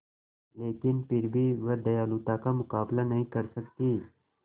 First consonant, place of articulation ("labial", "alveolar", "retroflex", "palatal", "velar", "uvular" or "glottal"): alveolar